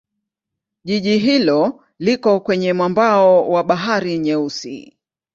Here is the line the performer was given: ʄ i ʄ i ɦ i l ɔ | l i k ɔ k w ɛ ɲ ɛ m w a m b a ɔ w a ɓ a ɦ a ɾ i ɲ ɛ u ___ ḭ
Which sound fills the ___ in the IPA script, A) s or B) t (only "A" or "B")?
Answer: A